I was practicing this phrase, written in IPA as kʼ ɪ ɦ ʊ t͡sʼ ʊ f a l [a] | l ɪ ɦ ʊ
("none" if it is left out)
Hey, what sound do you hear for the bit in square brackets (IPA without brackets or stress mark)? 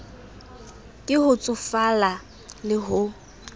a